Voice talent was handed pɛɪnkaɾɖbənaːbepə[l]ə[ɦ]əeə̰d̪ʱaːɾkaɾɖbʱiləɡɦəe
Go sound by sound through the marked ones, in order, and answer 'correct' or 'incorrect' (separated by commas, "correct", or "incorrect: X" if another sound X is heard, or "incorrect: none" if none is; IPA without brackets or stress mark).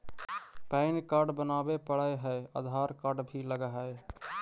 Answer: incorrect: ɽ, correct